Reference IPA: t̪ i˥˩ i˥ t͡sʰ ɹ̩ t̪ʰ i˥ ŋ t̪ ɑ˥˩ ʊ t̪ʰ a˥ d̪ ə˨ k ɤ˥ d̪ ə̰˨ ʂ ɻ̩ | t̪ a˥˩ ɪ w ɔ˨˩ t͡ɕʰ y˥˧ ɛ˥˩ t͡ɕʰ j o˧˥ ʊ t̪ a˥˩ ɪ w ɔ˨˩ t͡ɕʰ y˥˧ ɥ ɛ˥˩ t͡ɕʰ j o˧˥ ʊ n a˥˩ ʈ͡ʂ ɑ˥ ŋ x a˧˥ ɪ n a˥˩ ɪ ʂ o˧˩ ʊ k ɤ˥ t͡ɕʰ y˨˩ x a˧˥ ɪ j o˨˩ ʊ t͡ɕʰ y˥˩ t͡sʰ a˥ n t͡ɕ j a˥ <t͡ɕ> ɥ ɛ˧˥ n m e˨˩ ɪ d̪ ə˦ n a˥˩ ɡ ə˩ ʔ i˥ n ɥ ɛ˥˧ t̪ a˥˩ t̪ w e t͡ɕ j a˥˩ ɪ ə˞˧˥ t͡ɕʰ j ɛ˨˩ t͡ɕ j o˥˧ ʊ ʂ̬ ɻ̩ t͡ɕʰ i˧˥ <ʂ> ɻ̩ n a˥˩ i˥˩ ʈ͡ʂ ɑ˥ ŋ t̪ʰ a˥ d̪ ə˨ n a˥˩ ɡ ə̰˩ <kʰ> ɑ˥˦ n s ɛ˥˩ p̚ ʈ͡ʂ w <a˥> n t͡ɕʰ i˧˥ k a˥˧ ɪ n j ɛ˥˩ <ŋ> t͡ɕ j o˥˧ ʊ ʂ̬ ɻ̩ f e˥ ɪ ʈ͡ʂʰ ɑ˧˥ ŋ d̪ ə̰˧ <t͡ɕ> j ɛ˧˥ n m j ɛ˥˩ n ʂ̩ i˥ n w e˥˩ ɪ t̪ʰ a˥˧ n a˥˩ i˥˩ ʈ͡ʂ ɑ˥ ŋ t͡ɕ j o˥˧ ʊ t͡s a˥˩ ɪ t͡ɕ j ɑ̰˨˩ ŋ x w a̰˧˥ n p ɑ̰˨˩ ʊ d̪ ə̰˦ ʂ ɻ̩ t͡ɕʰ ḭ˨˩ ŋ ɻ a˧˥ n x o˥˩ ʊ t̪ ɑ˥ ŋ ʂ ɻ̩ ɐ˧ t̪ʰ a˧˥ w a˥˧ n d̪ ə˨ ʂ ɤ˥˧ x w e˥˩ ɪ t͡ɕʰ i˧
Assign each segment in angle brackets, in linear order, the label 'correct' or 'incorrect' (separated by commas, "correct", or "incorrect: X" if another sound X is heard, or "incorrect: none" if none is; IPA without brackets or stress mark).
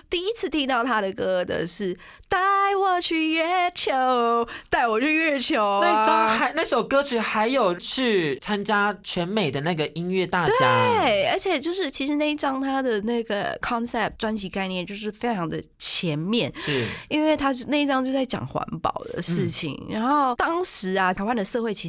incorrect: t͡ɕʰ, correct, correct, correct, incorrect: n, incorrect: t͡ɕʰ